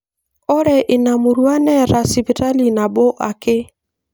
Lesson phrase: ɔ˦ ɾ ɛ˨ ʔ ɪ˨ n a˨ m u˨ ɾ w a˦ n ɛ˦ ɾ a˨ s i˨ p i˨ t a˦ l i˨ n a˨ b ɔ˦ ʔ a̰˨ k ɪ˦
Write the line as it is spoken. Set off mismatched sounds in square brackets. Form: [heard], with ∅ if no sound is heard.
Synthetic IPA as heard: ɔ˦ ɾ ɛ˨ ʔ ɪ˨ n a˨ m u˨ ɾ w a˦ n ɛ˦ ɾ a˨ s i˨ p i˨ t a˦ l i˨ n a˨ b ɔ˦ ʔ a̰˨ k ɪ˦